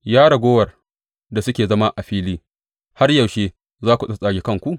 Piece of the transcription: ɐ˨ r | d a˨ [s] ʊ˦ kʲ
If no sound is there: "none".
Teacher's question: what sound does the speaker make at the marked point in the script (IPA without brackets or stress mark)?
s